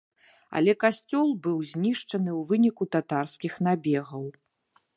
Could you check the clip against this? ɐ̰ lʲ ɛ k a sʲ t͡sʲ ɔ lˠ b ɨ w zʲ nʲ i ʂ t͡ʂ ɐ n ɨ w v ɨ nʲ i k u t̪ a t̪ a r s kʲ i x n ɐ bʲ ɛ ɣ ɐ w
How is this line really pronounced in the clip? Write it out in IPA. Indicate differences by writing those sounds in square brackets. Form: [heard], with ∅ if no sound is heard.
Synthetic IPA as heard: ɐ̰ lʲ ɛ k a sʲ t͡sʲ ɔ lˠ b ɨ w zʲ nʲ i ʂ t͡ʂ ɐ n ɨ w v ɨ nʲ i k u t̪ a t̪ a r s kʲ i x n [a] bʲ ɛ ɣ ɐ w